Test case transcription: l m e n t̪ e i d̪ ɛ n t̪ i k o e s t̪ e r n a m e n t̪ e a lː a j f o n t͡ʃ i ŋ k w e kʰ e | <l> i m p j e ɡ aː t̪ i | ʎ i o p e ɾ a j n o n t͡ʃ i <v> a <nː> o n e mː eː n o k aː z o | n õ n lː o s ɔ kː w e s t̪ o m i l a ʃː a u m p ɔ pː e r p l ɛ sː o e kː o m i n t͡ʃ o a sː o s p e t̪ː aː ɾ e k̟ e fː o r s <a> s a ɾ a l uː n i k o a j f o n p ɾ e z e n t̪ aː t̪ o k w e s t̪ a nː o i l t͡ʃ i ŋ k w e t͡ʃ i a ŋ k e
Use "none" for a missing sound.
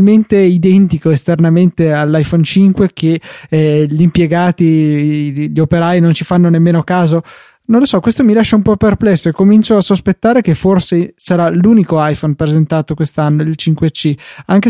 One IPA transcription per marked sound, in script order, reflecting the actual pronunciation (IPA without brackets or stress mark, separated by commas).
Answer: ʎ, f, nː, e